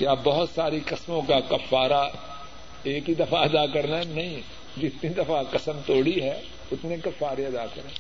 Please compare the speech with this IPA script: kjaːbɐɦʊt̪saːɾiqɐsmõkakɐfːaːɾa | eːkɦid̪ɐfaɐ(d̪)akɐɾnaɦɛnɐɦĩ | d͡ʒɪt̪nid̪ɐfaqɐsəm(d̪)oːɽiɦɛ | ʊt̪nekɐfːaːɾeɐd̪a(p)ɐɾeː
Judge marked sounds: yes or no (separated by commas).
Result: yes, no, no